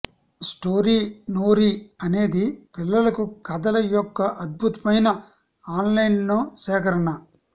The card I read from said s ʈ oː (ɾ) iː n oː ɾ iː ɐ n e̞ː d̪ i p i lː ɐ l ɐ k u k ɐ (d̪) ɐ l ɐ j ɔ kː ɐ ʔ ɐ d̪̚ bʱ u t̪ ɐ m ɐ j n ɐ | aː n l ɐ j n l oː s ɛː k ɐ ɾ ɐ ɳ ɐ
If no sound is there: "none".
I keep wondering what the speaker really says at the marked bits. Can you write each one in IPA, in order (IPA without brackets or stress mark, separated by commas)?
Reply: ɾ, d̪